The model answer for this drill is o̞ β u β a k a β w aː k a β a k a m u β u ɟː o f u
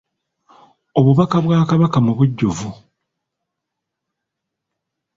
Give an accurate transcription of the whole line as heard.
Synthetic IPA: o̞ β u β a k a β w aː k a β a k a m u β u ɟː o v u